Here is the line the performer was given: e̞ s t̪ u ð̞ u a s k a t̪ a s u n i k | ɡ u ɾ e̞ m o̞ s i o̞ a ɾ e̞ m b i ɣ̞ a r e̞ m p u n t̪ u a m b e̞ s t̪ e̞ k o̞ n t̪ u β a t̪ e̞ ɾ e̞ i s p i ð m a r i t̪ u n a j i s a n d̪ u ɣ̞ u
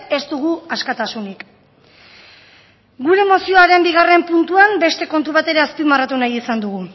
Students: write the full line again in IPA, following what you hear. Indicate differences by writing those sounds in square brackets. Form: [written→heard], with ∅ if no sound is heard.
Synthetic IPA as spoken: e̞ s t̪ u [ð̞→ɣ̞] u a s k a t̪ a s u n i k | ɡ u ɾ e̞ m o̞ s i o̞ a ɾ e̞ m b i ɣ̞ a r e̞ m p u n t̪ u a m b e̞ s t̪ e̞ k o̞ n t̪ u β a t̪ e̞ ɾ e̞ [i→a] s p i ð m a r [i→a] t̪ u n a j i s a n d̪ u ɣ̞ u